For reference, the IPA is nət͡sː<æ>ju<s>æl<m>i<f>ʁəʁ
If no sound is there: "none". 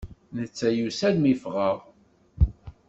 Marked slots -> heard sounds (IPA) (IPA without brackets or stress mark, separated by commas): æ, s, m, f